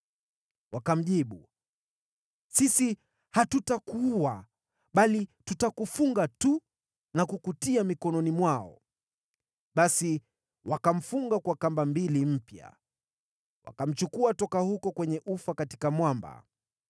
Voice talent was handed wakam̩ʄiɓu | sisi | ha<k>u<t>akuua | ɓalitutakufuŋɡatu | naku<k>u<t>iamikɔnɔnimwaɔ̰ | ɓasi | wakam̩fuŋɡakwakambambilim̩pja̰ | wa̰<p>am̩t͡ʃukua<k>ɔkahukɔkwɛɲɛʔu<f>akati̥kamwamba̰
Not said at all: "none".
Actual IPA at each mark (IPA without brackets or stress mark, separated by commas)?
t, t, k, t, k, t, f